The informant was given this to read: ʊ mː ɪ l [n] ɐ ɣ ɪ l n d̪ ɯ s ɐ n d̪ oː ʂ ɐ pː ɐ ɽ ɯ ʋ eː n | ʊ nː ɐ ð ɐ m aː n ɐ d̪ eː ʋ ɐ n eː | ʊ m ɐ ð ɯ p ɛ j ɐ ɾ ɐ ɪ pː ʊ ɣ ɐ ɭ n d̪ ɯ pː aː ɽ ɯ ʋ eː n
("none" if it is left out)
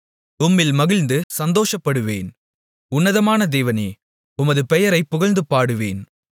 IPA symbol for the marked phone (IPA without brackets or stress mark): m